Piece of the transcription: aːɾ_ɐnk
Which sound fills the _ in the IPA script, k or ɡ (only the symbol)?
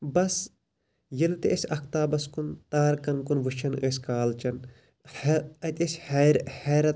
k